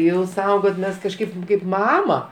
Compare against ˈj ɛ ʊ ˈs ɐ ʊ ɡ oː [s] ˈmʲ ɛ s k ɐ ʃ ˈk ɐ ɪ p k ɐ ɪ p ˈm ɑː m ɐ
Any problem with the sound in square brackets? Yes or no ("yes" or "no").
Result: yes